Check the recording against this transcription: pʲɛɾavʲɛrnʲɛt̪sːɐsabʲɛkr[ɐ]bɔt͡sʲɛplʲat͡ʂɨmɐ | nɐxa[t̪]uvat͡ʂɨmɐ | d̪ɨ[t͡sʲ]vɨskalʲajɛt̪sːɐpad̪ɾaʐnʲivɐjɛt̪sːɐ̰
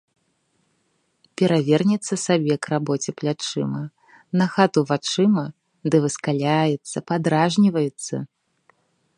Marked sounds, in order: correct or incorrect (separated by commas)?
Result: incorrect, correct, incorrect